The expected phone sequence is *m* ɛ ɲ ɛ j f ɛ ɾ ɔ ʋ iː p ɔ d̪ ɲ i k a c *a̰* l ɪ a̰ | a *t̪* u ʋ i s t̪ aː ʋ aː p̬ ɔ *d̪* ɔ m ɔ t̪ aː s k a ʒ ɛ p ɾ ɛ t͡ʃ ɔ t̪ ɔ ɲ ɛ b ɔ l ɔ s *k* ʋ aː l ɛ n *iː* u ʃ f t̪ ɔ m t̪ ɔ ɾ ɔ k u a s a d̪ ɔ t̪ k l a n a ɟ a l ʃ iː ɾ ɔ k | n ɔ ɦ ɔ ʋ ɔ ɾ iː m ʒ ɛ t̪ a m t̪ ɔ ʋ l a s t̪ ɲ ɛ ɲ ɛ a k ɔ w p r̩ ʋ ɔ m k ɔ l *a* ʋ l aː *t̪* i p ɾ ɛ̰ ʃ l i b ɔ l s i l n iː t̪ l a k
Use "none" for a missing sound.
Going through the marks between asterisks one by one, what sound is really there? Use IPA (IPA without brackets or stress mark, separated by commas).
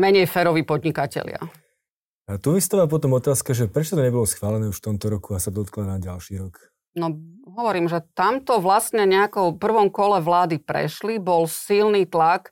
m, ɛ̰, t̪, t̪, x, ɛː, ɛ, d̪